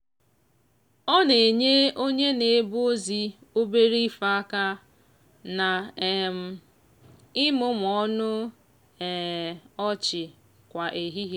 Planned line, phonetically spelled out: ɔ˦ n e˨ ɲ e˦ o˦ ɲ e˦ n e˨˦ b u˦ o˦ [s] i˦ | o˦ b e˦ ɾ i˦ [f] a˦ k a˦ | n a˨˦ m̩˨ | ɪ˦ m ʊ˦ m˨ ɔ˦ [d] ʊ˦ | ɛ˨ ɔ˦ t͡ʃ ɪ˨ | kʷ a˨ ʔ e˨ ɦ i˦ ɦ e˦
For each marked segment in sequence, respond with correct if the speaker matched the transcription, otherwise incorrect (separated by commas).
incorrect, correct, incorrect